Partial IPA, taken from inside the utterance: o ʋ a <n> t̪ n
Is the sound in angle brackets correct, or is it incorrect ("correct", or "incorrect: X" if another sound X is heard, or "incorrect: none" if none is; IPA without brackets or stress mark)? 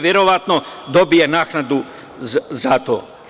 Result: incorrect: none